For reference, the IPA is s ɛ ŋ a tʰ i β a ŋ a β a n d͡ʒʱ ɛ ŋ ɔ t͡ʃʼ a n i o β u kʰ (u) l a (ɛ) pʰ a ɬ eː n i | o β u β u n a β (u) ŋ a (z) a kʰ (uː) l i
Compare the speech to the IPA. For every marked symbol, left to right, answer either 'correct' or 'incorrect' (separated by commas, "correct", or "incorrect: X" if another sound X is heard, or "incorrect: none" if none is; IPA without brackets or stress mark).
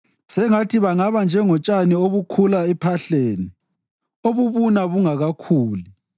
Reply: correct, correct, correct, incorrect: ɣ, correct